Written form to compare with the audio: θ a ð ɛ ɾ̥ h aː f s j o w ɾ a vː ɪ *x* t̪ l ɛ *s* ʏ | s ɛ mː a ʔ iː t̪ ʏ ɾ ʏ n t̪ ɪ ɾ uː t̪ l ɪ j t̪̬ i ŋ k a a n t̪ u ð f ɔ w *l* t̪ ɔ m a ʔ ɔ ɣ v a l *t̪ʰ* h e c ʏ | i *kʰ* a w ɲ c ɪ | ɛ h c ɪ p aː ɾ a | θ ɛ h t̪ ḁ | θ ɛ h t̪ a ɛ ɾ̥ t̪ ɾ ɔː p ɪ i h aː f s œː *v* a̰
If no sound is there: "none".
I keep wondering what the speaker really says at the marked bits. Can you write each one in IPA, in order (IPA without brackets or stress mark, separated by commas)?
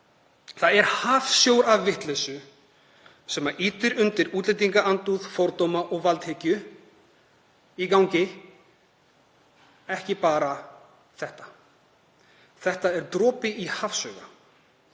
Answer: h, s, ɾ, t̪, k, ɣ